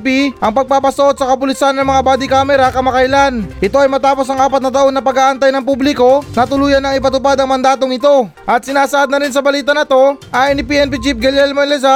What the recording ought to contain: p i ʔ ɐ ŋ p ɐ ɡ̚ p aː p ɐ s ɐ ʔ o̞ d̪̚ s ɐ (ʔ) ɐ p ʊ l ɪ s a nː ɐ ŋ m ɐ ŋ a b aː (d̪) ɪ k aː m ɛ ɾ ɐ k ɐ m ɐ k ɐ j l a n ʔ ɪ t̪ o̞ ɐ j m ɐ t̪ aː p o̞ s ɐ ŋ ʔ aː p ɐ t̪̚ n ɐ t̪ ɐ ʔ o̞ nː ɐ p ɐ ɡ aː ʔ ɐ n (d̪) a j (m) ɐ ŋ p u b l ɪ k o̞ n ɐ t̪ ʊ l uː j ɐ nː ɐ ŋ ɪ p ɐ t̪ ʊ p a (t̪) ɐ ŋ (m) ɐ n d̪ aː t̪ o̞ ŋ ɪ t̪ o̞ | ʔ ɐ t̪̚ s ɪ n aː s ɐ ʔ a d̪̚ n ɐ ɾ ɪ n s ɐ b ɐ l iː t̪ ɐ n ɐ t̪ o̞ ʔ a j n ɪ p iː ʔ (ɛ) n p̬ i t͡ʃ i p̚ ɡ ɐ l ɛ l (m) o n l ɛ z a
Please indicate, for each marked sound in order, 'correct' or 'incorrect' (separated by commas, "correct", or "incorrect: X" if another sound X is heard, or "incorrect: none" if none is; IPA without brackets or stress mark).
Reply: incorrect: k, correct, incorrect: t̪, incorrect: n, incorrect: d̪, correct, correct, correct